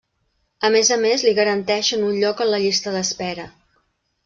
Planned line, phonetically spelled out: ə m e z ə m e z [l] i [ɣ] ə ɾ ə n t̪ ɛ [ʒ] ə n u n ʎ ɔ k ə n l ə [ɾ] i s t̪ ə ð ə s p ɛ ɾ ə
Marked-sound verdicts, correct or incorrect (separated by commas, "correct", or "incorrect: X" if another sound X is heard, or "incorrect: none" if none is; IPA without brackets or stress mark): correct, correct, incorrect: ʃ, incorrect: ʎ